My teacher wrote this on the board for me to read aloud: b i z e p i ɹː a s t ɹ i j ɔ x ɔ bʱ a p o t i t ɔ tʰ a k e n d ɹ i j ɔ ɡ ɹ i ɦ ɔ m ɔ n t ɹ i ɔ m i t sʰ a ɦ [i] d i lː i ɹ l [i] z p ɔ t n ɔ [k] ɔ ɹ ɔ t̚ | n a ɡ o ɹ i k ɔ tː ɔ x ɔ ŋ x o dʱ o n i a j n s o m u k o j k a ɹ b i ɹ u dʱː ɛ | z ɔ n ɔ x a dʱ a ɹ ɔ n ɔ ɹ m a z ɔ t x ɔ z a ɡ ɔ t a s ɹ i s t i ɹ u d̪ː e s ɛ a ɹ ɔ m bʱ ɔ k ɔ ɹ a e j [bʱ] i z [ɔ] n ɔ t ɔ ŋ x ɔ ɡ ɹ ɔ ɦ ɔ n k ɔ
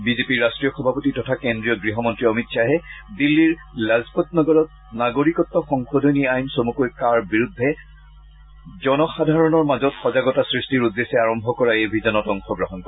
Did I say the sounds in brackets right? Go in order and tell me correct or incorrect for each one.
incorrect: ɛ, incorrect: a, incorrect: ɡ, correct, correct

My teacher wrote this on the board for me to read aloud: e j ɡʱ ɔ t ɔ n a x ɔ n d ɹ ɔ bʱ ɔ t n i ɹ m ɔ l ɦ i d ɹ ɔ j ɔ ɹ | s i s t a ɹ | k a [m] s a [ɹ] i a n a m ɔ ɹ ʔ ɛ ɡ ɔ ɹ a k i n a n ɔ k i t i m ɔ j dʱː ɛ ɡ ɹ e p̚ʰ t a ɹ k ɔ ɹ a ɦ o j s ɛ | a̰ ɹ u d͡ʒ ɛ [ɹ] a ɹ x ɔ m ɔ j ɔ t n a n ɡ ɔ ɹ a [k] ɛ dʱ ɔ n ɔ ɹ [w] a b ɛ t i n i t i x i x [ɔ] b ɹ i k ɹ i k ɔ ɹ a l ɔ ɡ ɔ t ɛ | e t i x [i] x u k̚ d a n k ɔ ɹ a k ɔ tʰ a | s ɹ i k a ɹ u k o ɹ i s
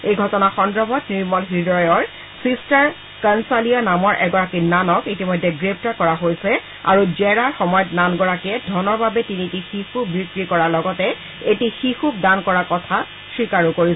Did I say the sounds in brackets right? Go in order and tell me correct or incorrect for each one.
incorrect: n, incorrect: l, correct, correct, incorrect: b, incorrect: u, correct

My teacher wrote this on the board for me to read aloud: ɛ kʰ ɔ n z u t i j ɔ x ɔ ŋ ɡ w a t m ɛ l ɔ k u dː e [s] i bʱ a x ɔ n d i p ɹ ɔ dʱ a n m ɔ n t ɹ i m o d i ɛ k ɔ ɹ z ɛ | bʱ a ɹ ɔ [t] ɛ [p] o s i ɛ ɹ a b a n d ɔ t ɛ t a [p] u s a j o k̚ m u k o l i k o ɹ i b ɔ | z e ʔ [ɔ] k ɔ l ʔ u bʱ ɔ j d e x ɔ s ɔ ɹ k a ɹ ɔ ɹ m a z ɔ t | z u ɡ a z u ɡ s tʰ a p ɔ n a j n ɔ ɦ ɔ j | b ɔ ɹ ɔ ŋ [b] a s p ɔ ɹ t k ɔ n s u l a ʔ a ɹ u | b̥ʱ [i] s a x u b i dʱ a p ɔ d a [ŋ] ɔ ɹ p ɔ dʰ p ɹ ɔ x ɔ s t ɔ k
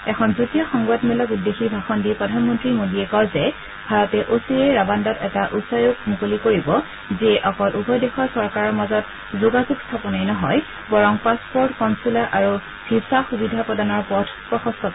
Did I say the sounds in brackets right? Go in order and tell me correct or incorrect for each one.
incorrect: x, correct, incorrect: ʔ, incorrect: ʔ, correct, incorrect: p, correct, incorrect: n

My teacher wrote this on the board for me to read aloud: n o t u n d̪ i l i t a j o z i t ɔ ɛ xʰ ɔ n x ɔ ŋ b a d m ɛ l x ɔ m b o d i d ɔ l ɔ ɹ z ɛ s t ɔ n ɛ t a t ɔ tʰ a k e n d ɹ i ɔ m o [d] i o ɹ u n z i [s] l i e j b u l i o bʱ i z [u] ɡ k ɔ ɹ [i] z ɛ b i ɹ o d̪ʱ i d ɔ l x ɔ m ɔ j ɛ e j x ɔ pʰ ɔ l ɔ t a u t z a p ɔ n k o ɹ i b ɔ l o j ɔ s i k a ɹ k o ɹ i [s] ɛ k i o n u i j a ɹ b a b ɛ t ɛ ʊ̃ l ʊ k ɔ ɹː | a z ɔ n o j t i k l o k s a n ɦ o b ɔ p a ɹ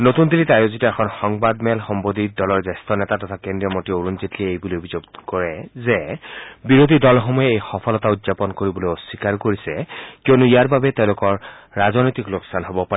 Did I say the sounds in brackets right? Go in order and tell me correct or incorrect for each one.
incorrect: t, incorrect: t, incorrect: o, incorrect: ɛ, correct

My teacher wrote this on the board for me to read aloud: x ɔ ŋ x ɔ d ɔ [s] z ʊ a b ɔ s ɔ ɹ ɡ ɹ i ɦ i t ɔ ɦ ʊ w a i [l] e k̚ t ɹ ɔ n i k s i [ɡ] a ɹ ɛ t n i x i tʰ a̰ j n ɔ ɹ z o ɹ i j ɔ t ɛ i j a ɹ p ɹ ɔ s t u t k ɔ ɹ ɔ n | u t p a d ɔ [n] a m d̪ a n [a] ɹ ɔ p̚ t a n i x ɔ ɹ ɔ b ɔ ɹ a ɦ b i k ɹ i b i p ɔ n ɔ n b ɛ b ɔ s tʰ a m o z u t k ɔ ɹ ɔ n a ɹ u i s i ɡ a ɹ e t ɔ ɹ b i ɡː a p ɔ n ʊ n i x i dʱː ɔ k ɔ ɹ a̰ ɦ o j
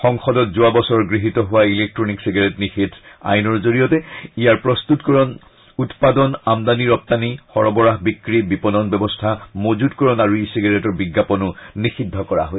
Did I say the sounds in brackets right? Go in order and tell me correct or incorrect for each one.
incorrect: t, correct, correct, correct, incorrect: i

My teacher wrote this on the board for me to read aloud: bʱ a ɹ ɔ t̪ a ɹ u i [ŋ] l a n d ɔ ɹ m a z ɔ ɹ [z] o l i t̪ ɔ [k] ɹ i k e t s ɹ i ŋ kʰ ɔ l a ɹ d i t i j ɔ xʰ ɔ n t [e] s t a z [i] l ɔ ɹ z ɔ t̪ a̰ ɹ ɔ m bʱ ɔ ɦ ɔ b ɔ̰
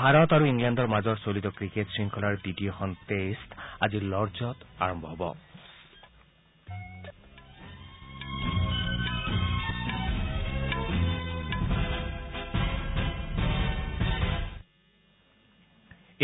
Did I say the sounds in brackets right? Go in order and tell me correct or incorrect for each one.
correct, incorrect: s, correct, correct, correct

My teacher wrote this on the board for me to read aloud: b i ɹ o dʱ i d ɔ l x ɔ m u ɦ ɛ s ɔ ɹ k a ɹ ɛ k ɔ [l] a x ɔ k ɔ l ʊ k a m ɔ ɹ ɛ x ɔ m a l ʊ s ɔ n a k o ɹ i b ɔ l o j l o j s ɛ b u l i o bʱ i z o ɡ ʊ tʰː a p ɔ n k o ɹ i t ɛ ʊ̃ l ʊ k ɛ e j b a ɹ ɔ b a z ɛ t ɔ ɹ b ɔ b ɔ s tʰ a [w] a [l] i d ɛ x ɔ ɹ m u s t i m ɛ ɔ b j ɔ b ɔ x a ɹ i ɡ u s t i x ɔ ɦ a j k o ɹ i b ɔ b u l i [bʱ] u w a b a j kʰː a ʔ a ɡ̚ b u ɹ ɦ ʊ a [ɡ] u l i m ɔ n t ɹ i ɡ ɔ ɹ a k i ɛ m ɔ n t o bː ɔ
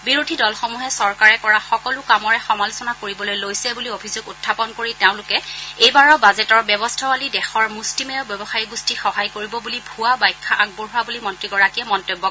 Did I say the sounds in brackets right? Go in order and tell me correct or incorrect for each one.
incorrect: ɹ, correct, correct, correct, incorrect: b

